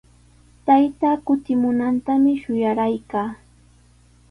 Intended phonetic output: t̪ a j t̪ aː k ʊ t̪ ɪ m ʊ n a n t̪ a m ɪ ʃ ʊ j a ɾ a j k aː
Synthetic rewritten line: t̪ a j t̪ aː k ʊ t̪ ɪ m ʊ n a n t̪ a m ɪ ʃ ʊ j a ɾ a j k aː